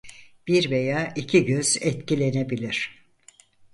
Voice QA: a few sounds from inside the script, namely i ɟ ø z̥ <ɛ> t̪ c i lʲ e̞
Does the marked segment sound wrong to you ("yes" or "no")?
no